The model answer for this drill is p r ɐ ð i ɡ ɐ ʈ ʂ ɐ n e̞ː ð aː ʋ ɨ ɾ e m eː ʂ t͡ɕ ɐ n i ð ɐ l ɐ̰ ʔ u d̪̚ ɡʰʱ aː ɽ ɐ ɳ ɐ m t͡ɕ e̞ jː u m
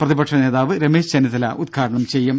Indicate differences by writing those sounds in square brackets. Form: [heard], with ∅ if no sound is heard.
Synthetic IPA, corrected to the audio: p r ɐ ð i [b] ɐ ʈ ʂ ɐ n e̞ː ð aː ʋ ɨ ɾ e m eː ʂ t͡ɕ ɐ n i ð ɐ l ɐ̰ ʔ u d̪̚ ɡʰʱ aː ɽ ɐ ɳ ɐ m t͡ɕ e̞ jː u m

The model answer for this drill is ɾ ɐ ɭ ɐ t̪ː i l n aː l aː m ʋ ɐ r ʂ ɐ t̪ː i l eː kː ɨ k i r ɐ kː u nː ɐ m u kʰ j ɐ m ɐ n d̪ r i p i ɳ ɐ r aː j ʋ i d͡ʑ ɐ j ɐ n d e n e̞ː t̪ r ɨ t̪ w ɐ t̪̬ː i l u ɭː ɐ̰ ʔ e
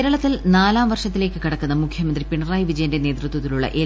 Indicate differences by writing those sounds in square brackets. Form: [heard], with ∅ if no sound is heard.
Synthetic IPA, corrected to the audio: ɾ ɐ ɭ ɐ t̪ː i l n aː l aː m ʋ ɐ r ʂ ɐ t̪ː i l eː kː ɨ k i [ɽ] ɐ kː u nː ɐ m u kʰ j ɐ m ɐ n d̪ r i p i ɳ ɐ r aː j ʋ i d͡ʑ ɐ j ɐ n d e n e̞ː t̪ r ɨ t̪ w ɐ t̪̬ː i l u ɭː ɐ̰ ʔ e

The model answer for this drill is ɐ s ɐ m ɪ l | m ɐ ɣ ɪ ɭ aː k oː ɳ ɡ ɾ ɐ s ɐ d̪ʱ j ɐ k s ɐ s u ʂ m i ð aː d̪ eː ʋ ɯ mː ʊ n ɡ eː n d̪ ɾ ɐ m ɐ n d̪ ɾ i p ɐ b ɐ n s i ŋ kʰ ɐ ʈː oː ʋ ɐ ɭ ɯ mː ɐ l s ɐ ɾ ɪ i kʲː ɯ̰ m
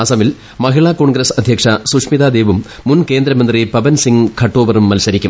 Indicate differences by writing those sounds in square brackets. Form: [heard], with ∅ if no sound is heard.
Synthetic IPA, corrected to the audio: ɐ s ɐ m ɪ l | m ɐ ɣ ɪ ɭ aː k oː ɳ ɡ ɾ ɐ s ɐ d̪ʱ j ɐ k [ʂ] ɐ s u ʂ m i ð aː d̪ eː ʋ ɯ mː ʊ n [k] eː n d̪ ɾ ɐ m ɐ n d̪ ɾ i p ɐ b ɐ n s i ŋ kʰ ɐ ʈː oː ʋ ɐ [ɾ] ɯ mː ɐ l s ɐ ɾ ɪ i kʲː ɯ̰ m

